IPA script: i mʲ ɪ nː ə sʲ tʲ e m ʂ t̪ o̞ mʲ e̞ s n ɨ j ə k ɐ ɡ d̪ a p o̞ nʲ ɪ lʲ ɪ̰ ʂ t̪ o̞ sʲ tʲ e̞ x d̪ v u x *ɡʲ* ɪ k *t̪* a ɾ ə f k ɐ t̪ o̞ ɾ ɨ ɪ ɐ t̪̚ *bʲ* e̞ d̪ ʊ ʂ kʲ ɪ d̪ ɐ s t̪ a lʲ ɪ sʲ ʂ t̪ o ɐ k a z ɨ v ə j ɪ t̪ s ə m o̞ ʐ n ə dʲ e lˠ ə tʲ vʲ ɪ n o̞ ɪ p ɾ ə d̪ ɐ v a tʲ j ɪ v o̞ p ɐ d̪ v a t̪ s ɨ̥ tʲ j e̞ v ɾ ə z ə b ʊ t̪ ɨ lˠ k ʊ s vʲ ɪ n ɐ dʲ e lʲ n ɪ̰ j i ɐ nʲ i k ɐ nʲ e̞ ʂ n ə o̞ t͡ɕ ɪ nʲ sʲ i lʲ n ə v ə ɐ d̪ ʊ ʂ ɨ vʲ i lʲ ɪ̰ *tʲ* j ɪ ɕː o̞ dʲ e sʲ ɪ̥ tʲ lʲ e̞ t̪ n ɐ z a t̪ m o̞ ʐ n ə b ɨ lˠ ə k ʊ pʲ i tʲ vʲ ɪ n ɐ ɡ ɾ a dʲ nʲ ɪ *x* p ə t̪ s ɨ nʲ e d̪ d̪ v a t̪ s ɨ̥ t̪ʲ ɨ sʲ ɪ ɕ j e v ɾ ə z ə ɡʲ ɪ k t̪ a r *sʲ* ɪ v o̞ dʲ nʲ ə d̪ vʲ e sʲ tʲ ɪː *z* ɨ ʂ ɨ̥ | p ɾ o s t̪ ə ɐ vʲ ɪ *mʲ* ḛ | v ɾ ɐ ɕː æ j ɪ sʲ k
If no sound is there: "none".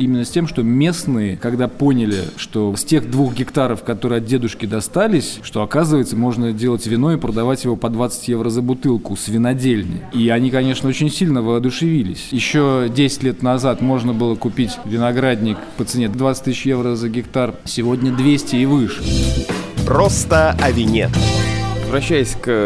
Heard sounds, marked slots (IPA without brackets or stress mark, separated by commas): ɡʲ, t̪, dʲ, sʲ, k, sʲ, v, nʲ